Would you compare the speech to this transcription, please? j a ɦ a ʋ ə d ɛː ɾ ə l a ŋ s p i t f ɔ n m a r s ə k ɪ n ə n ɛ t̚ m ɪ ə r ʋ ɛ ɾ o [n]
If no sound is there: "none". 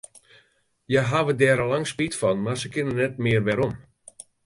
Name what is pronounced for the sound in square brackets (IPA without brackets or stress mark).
m